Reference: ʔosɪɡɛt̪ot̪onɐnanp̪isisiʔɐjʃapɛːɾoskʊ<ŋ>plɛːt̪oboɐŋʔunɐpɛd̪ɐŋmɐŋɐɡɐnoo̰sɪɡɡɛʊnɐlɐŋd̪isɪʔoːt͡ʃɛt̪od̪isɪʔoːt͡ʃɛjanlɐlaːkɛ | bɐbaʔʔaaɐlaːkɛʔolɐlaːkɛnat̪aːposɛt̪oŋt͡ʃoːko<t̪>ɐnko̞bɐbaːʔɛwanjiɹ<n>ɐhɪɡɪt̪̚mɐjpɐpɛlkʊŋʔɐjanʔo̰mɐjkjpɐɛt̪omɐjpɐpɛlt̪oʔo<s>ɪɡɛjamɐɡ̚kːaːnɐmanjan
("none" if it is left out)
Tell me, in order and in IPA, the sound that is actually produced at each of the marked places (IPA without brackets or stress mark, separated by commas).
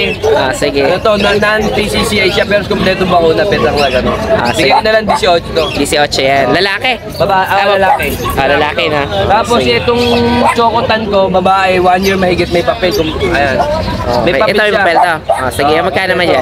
m, t̪, m, s